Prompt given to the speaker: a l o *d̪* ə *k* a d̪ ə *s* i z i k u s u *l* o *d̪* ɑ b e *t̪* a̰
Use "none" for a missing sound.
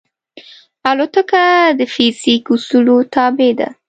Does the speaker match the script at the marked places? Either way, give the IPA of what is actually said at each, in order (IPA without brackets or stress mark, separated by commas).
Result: t̪, k, f, l, t̪, d̪